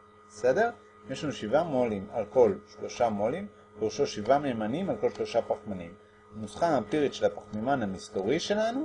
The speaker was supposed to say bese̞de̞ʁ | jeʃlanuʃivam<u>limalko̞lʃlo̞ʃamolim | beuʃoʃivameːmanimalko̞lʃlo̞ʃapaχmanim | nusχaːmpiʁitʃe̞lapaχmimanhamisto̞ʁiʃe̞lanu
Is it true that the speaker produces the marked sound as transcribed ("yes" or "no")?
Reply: no